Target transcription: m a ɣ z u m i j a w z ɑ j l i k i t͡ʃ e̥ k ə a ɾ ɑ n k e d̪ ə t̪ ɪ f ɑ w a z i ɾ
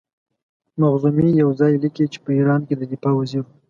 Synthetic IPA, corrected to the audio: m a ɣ z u m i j a w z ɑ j l i k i t͡ʃ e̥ p ə i ɾ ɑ n k e d̪ ə d̪ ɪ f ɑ w a z i ɾ